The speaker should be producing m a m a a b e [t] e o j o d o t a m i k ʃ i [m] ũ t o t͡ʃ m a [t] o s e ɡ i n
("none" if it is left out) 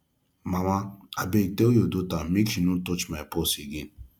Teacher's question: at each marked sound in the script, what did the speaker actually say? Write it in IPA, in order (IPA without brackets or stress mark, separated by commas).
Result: t, n, p